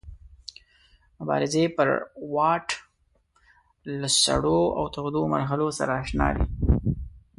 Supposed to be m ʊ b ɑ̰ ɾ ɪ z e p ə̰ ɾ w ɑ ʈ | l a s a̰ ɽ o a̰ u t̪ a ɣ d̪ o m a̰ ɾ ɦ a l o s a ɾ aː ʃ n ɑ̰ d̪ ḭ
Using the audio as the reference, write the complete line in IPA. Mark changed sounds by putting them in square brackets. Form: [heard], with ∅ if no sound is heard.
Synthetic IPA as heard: m ʊ b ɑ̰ ɾ ɪ z e p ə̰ ɾ w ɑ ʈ | l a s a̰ ɽ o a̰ [w] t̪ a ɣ d̪ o m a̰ ɾ ɦ a l o s a ɾ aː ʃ n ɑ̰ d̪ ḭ